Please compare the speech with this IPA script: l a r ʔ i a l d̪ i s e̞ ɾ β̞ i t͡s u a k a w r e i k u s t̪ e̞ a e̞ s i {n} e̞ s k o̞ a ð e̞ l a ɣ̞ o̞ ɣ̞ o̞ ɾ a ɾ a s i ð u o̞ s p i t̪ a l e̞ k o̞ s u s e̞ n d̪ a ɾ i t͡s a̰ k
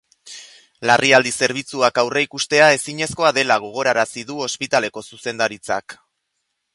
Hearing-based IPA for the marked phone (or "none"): ɲ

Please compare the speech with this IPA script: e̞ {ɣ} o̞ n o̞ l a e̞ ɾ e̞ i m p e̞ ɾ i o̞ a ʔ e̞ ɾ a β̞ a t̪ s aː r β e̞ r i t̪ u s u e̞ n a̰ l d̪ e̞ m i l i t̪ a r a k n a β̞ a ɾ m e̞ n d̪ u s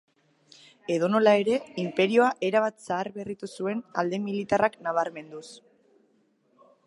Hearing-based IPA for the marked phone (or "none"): ð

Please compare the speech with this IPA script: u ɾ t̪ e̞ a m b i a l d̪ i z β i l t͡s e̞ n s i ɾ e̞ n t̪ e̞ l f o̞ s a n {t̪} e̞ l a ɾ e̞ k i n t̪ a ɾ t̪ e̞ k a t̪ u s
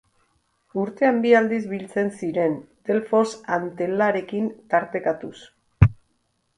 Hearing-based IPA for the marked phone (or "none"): t̪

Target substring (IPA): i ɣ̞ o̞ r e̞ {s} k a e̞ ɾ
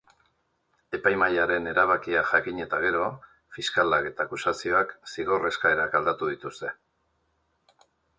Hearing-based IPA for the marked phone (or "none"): s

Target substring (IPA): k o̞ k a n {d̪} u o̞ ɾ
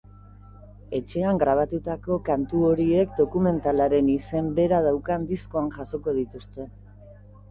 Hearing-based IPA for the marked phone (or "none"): t̪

